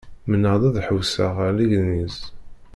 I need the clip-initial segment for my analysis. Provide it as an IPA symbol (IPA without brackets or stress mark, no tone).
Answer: m